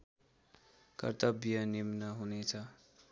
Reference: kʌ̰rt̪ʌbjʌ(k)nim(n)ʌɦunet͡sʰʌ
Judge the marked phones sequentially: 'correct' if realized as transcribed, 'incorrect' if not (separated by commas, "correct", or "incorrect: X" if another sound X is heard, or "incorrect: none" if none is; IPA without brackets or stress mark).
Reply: incorrect: none, correct